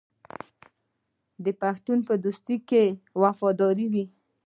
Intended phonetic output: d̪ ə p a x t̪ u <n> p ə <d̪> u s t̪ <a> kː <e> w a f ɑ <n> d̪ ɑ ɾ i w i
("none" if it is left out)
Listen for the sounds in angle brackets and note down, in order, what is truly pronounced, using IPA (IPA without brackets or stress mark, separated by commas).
n, d̪, i, e, none